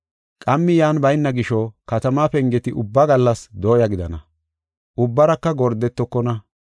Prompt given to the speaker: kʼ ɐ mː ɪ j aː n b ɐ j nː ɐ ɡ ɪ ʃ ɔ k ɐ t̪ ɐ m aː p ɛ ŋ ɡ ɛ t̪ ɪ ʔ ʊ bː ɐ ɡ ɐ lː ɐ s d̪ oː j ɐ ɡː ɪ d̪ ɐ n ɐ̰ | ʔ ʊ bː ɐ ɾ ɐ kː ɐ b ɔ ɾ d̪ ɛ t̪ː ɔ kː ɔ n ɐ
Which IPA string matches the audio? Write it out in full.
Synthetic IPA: kʼ ɐ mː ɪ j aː n b ɐ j nː ɐ ɡ ɪ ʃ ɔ k ɐ t̪ ɐ m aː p ɛ ŋ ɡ ɛ t̪ ɪ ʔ ʊ bː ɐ ɡ ɐ lː ɐ s d̪ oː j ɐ ɡ ɪ d̪ ɐ n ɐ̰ | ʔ ʊ bː ɐ ɾ ɐ kː ɐ ɡ ɔ ɾ d̪ ɛ t̪ː ɔ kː ɔ n ɐ